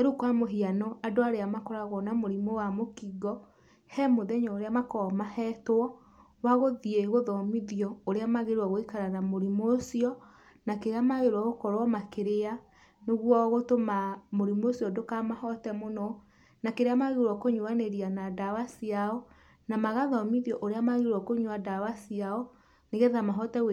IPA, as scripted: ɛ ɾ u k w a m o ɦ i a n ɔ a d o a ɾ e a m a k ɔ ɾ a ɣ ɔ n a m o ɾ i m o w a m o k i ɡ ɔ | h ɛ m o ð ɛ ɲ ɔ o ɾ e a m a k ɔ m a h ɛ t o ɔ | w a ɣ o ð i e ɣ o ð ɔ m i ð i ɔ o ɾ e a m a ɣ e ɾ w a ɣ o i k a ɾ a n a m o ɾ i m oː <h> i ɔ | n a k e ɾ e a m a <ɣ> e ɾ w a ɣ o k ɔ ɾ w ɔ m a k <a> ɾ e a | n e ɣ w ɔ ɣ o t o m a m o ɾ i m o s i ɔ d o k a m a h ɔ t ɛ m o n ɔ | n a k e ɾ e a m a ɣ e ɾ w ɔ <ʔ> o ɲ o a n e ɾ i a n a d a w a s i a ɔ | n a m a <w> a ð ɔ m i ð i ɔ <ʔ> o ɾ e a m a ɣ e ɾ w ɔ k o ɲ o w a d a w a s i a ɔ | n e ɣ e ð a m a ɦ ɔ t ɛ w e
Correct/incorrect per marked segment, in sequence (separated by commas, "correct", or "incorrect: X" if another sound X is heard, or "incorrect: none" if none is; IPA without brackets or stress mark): incorrect: s, correct, incorrect: e, incorrect: k, incorrect: ɣ, correct